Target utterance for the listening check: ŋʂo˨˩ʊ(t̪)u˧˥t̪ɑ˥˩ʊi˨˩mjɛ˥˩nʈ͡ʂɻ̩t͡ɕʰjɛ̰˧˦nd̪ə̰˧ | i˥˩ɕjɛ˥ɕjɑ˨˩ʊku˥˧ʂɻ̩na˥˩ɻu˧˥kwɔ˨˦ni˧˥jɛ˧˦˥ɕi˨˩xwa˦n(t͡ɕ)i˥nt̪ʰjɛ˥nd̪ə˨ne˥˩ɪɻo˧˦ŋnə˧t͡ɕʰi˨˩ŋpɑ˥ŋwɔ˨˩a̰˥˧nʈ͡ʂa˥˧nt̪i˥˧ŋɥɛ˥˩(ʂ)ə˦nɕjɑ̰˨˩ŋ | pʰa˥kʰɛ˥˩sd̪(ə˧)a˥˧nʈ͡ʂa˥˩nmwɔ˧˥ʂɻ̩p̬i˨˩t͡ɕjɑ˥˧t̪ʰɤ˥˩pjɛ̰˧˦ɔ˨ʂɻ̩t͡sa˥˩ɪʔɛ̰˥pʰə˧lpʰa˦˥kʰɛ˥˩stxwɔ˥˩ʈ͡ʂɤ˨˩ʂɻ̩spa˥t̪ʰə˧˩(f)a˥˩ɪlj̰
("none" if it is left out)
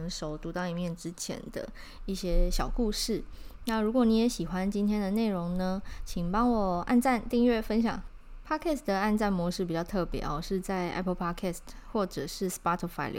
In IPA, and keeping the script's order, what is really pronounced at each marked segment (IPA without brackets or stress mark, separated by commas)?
t̪, t͡ɕ, f, ə˩, f